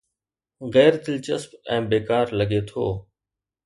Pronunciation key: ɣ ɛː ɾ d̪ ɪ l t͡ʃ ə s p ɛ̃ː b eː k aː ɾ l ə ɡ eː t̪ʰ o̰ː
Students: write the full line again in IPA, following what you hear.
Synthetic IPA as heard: ɣ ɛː ɾ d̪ ɪ l t͡ʃ ə s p ɛ̃ː b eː k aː ɾ l ə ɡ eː t̪ʰ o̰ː